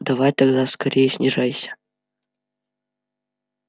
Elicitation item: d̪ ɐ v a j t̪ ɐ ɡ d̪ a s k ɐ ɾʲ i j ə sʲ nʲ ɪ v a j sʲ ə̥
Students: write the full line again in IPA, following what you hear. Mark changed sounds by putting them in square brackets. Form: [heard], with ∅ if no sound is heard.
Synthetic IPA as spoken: d̪ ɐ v a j t̪ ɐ ɡ d̪ a s k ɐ ɾʲ [e] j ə sʲ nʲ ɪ [ʐ] a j sʲ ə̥